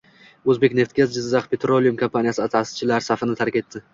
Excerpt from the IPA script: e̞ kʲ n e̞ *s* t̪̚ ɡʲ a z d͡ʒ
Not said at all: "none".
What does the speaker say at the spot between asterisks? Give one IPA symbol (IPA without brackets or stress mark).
f